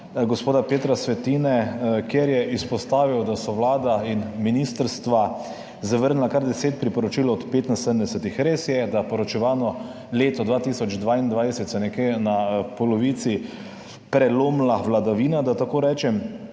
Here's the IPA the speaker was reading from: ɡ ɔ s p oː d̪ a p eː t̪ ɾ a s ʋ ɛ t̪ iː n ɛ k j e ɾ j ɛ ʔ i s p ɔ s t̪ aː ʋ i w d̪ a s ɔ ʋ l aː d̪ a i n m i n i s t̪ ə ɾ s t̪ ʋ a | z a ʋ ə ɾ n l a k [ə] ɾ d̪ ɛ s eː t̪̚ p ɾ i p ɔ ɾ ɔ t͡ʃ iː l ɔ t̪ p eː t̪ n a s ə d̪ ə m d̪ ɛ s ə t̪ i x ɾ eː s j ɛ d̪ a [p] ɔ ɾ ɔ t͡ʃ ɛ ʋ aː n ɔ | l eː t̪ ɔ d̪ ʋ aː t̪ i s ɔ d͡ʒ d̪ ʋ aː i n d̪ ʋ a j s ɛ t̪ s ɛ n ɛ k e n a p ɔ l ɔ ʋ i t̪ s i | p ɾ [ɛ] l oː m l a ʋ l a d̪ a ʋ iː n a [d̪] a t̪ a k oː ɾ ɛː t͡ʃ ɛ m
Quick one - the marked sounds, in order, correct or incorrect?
incorrect, correct, correct, correct

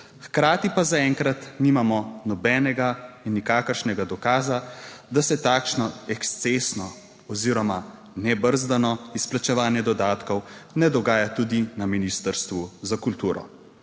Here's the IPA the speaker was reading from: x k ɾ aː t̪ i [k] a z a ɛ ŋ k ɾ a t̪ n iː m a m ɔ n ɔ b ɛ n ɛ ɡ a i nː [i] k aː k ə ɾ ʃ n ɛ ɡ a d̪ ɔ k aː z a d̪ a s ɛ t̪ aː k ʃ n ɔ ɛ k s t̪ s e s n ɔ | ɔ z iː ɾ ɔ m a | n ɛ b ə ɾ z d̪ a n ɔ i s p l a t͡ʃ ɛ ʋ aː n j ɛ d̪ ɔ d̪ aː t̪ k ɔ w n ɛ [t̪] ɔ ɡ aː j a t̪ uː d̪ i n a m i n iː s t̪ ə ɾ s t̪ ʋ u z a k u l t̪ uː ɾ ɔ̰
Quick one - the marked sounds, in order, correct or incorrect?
incorrect, correct, incorrect

